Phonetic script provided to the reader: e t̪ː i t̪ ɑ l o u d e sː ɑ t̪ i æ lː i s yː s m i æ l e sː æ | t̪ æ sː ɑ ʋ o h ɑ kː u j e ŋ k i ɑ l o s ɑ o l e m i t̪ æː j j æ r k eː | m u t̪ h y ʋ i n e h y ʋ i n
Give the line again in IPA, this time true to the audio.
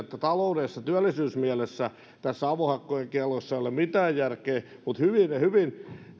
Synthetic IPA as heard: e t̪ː æ t̪ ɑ l o u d e sː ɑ t̪ y æ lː i s yː s m i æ l e sː æ | t̪ æ sː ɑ ʋ o h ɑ kː o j e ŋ k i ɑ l o sː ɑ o l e m i t̪ æː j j æ r k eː | m u t̪ h y ʋ i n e h y ʋ i n